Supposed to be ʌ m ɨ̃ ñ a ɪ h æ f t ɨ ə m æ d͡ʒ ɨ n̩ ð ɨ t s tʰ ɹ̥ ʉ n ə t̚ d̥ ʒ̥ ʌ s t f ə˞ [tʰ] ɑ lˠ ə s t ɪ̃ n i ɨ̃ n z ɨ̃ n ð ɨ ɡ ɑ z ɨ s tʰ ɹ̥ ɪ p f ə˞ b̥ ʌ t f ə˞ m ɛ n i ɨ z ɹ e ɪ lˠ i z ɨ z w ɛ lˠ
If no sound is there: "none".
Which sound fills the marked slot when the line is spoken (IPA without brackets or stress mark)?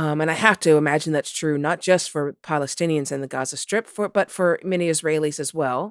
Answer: pʰ